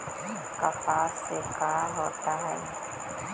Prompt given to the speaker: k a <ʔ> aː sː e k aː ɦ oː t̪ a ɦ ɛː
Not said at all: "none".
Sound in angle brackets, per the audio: p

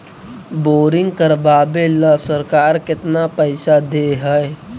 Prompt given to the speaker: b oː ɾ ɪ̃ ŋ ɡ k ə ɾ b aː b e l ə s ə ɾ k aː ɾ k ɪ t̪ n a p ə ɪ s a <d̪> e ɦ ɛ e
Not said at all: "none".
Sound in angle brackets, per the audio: d̪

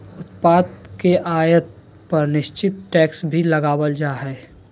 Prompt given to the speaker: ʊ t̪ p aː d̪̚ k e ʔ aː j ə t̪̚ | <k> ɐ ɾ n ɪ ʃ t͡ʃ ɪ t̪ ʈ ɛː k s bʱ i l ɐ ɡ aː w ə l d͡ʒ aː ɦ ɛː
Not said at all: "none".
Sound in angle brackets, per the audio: p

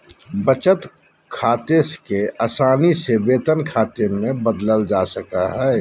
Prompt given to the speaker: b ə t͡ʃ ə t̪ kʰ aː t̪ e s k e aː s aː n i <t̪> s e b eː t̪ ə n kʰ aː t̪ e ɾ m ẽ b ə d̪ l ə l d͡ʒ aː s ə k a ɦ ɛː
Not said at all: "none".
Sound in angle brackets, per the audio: none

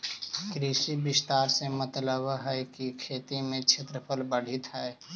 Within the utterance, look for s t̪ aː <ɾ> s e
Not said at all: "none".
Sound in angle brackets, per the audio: ɾ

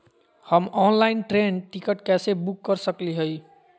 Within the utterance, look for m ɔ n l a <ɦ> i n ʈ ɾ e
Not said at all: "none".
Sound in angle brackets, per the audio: none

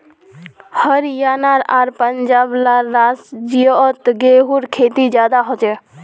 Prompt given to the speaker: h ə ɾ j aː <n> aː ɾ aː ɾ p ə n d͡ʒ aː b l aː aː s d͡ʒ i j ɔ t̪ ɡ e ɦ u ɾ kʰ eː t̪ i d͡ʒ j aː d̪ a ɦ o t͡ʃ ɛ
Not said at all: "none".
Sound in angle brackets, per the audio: n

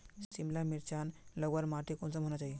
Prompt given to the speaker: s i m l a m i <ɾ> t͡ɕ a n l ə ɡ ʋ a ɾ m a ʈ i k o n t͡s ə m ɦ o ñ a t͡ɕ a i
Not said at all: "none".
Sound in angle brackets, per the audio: ɾ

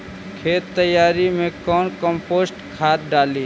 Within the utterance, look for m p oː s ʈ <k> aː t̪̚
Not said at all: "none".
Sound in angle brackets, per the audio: kʰ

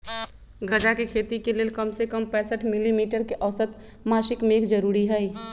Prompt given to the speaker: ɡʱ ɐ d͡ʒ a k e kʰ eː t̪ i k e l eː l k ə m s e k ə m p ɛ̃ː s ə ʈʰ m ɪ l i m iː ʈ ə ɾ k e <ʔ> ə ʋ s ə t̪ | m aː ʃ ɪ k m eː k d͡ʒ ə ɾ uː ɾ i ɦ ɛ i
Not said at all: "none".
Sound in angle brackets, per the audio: ʔ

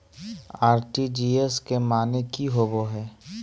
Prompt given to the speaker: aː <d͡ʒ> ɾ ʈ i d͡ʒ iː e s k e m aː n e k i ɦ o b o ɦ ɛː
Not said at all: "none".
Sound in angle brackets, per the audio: none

